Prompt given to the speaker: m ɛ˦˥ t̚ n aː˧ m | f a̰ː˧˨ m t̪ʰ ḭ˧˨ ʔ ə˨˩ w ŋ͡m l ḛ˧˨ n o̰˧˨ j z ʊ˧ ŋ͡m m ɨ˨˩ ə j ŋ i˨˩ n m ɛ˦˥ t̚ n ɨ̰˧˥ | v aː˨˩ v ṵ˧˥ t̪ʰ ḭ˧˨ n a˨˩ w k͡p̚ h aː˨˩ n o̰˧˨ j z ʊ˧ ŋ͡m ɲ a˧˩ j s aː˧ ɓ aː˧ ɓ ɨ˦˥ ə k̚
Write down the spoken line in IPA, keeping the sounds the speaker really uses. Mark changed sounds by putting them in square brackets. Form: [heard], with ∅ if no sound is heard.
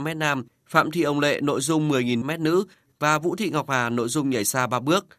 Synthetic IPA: m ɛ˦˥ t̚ n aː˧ m | f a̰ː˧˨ m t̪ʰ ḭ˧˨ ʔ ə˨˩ w ŋ͡m l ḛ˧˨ n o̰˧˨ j z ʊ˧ ŋ͡m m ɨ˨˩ ə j ŋ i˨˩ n m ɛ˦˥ t̚ n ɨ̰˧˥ | v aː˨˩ v ṵ˧˥ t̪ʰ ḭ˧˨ [ŋ] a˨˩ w k͡p̚ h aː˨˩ n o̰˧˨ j z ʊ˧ ŋ͡m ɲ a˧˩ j s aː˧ ɓ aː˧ ɓ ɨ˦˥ ə k̚